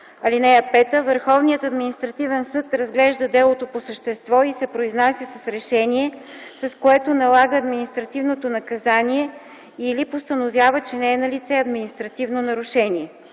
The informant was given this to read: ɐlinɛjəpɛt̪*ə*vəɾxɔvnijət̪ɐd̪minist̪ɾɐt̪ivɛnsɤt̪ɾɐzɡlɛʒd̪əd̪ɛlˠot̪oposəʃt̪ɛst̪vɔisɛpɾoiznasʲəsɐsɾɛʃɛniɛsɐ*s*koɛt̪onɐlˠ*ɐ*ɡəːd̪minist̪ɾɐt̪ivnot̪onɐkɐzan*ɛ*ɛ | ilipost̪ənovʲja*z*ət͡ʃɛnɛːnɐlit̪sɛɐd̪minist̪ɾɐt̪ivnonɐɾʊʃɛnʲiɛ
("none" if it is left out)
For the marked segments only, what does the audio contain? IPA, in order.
ə, s, a, i, v

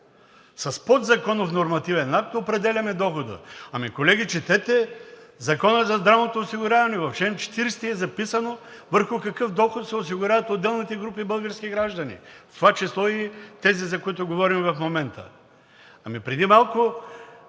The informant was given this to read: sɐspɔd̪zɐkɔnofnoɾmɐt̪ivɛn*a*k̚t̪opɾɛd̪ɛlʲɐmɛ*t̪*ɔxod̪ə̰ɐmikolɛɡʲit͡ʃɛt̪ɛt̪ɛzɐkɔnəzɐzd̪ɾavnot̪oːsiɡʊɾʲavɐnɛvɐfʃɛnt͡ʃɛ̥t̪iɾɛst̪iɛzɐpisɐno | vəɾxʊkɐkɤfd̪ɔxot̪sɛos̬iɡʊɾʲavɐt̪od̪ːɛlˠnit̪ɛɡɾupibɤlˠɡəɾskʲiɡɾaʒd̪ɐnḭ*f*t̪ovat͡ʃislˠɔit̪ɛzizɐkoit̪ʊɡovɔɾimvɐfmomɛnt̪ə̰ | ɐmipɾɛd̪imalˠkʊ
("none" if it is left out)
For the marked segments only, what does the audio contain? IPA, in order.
a, d̪, f

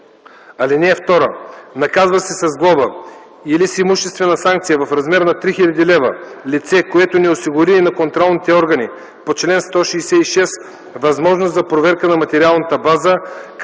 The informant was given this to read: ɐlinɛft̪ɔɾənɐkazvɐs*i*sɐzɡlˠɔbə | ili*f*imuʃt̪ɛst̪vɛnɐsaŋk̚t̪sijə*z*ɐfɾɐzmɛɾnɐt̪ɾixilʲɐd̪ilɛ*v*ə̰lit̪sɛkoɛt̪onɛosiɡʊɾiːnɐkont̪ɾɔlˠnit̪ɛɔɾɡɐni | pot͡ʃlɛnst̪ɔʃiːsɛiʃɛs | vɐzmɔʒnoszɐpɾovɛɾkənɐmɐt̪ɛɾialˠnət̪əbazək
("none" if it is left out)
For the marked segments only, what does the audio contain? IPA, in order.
ɛ, s, v, v

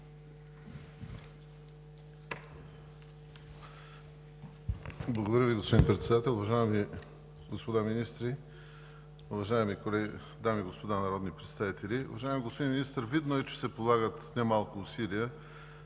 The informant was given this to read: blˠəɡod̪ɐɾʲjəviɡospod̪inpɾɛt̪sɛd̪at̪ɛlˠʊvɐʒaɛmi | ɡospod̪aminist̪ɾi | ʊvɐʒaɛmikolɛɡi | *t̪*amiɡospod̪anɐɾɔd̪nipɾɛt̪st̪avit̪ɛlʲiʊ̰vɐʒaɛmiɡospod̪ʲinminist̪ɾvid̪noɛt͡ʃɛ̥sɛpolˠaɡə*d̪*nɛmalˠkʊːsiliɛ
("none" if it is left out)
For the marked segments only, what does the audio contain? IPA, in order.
d̪, t̪

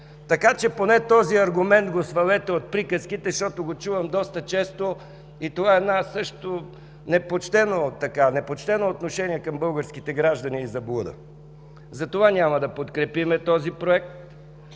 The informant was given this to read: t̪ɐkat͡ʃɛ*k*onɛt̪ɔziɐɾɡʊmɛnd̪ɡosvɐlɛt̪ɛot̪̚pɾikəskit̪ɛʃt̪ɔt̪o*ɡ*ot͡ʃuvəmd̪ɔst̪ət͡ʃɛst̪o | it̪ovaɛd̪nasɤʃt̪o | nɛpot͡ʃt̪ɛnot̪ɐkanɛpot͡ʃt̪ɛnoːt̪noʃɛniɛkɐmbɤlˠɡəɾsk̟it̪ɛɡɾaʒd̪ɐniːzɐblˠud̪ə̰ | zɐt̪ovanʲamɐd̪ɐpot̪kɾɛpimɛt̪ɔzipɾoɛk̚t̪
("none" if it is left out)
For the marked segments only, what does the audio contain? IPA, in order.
p, ɡ

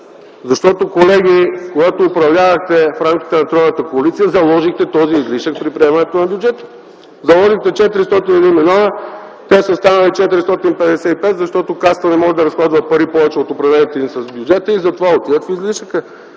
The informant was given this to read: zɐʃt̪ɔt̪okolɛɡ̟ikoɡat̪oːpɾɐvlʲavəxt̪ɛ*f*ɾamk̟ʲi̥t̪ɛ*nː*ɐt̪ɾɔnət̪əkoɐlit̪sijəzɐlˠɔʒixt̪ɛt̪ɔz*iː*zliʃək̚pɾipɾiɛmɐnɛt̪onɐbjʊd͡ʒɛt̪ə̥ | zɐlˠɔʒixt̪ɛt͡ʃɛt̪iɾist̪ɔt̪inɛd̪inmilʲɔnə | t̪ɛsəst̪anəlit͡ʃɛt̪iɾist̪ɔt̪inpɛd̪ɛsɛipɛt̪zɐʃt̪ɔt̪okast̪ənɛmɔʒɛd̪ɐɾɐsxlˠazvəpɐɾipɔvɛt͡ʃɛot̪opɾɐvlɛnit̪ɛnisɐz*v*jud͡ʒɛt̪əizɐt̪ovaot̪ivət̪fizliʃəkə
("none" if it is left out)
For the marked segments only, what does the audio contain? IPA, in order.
f, n, iː, b

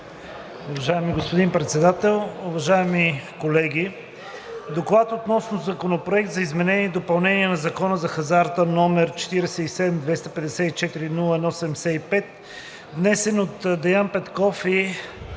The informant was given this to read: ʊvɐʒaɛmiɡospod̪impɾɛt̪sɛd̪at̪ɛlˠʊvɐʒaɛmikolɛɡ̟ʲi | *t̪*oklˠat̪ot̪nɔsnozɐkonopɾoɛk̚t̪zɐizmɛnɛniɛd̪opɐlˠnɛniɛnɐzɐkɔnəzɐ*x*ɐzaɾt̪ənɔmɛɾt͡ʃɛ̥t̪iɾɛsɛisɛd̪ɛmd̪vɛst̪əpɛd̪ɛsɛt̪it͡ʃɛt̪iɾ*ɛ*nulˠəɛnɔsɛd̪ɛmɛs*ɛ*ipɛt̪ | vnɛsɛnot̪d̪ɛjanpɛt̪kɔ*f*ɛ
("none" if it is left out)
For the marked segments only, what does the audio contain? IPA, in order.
d̪, x, i, ɛ, f

